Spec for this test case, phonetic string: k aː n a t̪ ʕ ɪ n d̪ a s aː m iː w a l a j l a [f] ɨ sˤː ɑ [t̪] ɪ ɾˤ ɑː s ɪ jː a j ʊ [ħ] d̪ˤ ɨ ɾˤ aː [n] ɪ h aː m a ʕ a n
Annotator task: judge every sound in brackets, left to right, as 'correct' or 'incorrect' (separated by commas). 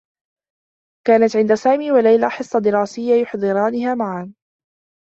incorrect, incorrect, correct, correct